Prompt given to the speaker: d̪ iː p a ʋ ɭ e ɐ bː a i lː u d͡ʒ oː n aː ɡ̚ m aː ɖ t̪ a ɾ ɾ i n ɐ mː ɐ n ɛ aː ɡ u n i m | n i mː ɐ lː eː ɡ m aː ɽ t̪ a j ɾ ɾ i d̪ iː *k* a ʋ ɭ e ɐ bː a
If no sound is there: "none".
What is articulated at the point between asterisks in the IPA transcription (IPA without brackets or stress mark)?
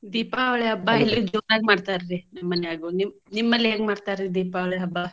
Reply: p